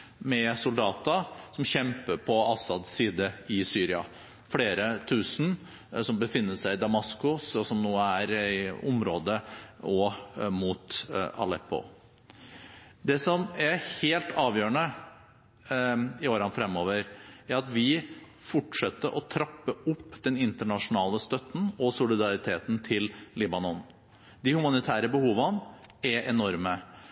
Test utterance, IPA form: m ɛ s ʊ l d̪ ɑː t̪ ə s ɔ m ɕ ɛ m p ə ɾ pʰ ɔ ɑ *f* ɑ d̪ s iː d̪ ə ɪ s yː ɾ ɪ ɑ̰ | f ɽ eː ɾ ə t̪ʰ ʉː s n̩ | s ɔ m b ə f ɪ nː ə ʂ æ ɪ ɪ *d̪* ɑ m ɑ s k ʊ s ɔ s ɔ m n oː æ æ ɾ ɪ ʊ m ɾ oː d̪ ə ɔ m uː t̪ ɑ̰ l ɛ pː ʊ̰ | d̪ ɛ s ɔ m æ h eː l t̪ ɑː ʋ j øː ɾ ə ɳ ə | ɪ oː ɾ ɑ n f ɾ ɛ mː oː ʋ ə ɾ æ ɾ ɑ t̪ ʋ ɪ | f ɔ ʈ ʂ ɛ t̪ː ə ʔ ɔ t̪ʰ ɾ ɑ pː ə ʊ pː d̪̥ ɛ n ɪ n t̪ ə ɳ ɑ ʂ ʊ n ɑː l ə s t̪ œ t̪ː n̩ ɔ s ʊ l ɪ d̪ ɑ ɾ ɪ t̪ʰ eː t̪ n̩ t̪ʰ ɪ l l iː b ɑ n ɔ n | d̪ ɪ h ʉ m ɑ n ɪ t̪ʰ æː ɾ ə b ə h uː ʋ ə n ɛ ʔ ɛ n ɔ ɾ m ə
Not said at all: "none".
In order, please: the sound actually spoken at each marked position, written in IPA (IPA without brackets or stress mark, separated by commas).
s, d̪